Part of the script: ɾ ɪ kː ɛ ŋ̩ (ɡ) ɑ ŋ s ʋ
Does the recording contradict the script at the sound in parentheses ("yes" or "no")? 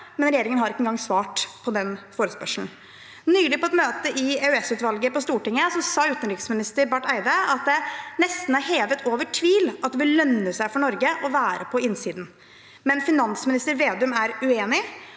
no